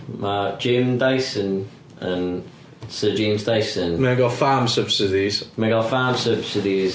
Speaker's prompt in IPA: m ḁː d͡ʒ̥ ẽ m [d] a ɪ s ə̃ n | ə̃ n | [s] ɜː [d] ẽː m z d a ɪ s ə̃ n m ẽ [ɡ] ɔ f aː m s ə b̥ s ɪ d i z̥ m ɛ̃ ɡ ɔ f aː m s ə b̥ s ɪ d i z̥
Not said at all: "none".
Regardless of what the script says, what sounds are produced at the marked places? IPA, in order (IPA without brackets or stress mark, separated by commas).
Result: d, s, d͡ʒ, ɡ